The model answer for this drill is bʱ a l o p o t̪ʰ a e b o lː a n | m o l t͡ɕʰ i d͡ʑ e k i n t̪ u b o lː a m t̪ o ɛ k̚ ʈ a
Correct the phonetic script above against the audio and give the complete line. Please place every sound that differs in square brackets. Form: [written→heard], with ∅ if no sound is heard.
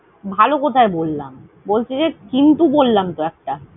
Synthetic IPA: bʱ a l o [p→k] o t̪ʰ a e b o lː a [n→m] | [m→b] o l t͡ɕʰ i d͡ʑ e k i n t̪ u b o lː a m t̪ o ɛ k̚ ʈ a

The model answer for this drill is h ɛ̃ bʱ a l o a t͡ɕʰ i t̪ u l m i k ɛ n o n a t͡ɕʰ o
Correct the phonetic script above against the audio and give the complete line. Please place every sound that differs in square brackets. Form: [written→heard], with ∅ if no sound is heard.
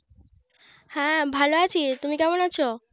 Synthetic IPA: h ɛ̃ bʱ a l o a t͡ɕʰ i t̪ u [l→∅] m i k ɛ [n→m] o n a t͡ɕʰ o

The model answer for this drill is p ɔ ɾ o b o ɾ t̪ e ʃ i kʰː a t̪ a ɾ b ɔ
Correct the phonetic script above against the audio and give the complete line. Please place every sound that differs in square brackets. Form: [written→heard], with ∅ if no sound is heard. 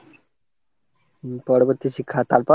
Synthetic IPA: p ɔ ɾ o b o ɾ t̪ [e→i] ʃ i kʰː a t̪ a ɾ [b→p] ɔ

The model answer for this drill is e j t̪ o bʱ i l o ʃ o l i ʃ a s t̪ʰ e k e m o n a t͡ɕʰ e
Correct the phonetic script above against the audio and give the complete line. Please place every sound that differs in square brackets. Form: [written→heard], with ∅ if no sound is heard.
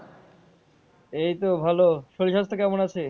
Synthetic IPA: e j t̪ o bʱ [i→a] l o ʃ o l i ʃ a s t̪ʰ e k [e→ɛ] m o n a t͡ɕʰ e

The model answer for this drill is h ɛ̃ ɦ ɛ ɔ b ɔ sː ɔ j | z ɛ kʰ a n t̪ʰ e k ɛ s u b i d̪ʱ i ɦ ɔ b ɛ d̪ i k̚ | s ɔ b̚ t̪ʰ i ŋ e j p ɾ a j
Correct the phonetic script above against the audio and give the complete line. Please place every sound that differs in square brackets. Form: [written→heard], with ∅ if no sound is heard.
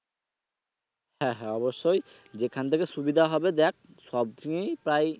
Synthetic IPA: h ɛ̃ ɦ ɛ ɔ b ɔ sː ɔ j | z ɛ kʰ a n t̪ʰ e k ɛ s u b i d̪ʱ [i→a] ɦ ɔ b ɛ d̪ [i→ɛ] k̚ | s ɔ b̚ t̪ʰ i ŋ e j p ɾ a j

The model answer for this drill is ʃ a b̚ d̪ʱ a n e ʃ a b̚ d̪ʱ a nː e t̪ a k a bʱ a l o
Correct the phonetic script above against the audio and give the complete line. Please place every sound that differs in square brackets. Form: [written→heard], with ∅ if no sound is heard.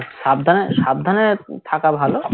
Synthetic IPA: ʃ a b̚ d̪ʱ a n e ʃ a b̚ d̪ʱ a [nː→n] e [t̪→t̪ʰ] a k a bʱ a l o

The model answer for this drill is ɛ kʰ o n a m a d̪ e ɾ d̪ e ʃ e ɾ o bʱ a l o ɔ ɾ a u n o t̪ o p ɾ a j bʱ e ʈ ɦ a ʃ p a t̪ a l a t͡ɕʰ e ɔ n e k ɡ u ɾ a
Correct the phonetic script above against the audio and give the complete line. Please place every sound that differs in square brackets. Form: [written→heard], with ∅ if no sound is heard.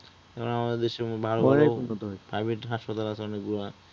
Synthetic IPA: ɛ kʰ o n a m a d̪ e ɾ d̪ e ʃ e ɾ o bʱ a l o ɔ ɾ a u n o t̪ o p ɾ a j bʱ e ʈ ɦ a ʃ p a t̪ a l a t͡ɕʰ e ɔ n e k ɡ u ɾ a

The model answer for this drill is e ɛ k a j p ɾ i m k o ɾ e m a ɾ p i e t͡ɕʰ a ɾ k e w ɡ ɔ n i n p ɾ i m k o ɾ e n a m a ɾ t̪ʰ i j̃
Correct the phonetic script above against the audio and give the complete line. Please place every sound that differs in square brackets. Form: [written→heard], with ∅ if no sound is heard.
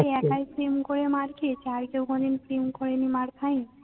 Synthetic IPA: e ɛ k a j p ɾ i m k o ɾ e m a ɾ [p→k] i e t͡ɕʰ a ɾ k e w ɡ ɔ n i n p ɾ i m k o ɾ e n [a→i] m a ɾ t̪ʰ [i→a] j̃

